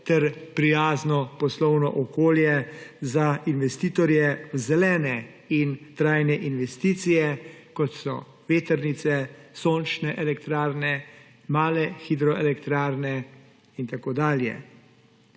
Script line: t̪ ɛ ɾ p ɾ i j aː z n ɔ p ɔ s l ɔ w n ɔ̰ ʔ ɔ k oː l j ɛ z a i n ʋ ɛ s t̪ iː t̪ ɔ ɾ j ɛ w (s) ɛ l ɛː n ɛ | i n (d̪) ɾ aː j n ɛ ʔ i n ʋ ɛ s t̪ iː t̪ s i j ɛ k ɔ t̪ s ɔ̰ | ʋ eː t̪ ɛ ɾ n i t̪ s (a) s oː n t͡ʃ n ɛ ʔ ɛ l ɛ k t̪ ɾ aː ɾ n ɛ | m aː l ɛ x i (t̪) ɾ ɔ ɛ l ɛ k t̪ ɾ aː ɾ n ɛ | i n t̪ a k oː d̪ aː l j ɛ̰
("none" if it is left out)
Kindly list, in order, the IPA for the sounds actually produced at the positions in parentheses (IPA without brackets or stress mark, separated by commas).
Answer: z, t̪, ɛ, d̪